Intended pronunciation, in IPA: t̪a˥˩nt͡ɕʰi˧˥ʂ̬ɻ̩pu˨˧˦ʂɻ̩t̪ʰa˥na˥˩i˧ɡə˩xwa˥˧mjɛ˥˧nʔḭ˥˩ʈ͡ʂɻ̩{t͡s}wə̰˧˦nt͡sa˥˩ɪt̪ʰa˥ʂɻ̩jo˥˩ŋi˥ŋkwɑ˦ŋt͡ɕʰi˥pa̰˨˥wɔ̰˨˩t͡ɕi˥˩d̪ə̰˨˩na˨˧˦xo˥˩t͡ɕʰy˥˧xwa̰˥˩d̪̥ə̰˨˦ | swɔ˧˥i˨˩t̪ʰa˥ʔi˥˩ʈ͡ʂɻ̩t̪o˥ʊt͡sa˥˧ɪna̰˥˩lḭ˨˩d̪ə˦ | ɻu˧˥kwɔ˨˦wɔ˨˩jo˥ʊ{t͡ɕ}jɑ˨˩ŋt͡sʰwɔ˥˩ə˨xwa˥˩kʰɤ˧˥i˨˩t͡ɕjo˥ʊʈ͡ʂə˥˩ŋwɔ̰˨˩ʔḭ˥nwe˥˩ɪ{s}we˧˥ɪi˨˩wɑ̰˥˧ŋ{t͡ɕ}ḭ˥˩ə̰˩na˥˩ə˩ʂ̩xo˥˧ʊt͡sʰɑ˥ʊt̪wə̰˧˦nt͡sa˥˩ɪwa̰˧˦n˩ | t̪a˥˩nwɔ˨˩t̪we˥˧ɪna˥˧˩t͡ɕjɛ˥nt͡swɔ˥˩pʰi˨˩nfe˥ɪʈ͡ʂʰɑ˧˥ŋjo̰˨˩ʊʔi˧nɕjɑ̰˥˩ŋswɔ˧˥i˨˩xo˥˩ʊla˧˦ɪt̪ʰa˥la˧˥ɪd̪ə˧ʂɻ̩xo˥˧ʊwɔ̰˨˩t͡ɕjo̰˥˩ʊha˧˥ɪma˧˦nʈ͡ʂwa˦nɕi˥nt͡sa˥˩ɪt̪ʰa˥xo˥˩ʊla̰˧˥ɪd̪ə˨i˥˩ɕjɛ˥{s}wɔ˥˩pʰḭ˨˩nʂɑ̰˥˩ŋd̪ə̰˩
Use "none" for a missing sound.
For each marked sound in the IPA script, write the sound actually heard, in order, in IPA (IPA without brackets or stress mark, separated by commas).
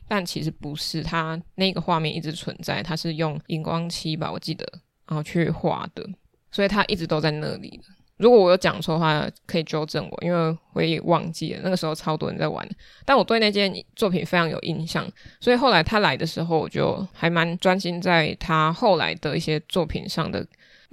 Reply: t͡sʰ, t͡ɕ, x, t͡ɕ, t͡s